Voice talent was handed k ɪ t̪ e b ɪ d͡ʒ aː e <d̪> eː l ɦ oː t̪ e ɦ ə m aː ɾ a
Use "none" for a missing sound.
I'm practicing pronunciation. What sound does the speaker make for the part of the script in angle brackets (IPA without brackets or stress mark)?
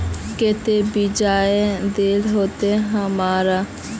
d̪